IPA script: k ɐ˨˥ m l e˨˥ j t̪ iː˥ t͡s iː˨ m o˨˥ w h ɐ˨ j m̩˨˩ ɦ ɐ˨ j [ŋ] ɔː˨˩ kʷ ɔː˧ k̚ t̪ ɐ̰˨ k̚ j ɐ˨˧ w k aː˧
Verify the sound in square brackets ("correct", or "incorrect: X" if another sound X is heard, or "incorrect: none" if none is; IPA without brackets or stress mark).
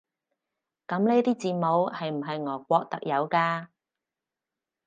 correct